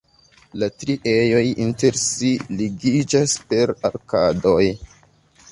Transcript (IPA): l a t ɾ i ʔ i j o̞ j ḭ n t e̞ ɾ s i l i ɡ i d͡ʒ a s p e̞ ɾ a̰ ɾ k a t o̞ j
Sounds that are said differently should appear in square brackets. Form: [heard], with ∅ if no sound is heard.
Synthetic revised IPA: l a t ɾ i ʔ [e] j o̞ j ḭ n t e̞ ɾ s i l i ɡ i d͡ʒ a s p e̞ ɾ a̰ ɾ k a [d] o̞ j